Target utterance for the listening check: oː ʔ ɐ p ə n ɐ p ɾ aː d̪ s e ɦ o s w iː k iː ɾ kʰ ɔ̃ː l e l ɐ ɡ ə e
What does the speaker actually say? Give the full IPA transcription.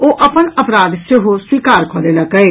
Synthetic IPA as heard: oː ʔ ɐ p ə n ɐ p ɾ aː d̪ s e ɦ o s w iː k aː ɾ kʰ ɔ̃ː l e l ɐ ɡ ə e